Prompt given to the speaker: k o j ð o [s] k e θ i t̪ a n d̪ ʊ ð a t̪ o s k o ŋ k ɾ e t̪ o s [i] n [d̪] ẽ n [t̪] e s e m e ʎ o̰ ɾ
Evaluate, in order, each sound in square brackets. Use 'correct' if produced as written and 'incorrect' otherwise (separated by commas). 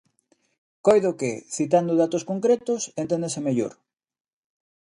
incorrect, incorrect, incorrect, incorrect